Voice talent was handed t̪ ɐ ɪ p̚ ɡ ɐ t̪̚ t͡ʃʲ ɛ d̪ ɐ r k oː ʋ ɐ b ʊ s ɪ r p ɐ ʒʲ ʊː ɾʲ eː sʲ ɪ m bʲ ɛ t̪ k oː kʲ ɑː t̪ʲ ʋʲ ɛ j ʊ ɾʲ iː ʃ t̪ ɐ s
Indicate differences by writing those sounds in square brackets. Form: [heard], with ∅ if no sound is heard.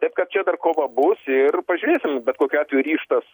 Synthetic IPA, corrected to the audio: t̪ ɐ ɪ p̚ [k] ɐ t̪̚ t͡ʃʲ ɛ d̪ ɐ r k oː ʋ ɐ b ʊ s ɪ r p ɐ ʒʲ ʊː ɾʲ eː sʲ ɪ m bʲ ɛ t̪ k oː kʲ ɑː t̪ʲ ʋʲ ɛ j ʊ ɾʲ iː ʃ t̪ ɐ s